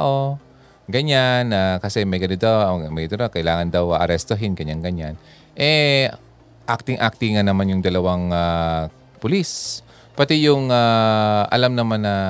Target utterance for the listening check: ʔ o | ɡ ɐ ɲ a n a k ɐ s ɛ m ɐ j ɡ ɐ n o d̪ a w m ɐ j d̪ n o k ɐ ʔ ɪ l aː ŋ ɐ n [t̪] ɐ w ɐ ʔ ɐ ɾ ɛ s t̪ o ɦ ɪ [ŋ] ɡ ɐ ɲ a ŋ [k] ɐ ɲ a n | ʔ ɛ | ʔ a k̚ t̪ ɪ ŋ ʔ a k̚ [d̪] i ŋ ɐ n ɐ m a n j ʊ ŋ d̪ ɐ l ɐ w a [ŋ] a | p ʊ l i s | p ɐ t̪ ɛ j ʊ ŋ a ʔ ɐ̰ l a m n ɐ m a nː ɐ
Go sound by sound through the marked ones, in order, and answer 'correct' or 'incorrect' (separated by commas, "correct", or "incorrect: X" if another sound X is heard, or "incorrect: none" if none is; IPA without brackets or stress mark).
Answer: incorrect: d̪, incorrect: n, incorrect: ɡ, incorrect: t̪, correct